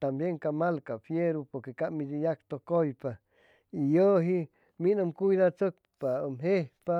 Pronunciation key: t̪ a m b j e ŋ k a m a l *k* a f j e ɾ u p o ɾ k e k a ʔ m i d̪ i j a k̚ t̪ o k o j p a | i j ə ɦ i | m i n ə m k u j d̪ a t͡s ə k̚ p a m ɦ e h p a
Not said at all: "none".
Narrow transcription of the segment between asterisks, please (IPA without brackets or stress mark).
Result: k